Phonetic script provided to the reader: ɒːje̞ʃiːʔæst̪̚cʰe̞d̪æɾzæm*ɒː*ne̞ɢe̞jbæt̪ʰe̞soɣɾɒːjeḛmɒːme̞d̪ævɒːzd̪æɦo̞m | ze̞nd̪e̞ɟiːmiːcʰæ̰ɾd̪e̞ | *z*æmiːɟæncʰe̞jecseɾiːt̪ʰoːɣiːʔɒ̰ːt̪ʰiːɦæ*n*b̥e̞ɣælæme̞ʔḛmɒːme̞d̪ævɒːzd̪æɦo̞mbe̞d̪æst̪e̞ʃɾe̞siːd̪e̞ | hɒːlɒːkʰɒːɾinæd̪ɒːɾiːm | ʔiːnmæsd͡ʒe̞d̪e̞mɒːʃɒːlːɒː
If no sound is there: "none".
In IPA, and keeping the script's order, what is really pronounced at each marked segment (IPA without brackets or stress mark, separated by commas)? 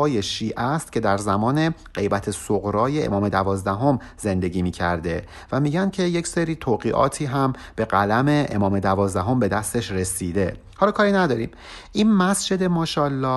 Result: ɒː, v, m